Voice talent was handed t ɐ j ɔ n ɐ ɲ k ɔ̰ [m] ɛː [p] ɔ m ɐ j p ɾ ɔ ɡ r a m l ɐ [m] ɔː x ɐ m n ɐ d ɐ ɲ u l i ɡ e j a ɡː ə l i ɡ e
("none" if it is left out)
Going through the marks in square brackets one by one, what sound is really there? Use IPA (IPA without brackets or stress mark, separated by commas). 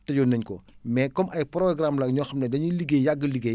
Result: m, k, ɲ